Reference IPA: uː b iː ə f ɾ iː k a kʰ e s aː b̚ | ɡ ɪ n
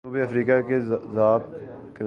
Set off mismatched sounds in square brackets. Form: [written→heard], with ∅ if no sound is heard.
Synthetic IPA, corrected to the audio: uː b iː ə f ɾ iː k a [kʰ→k] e [s→z] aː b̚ | [ɡ→k] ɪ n